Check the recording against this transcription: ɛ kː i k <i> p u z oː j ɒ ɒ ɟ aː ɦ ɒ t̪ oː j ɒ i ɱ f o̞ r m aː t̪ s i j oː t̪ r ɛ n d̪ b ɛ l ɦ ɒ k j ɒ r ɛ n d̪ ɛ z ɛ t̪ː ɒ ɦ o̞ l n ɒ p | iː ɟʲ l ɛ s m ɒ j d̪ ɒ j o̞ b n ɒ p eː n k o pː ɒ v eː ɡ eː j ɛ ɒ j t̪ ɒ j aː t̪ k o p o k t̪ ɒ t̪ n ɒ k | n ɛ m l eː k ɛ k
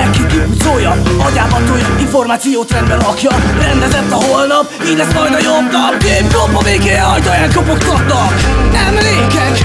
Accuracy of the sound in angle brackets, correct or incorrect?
correct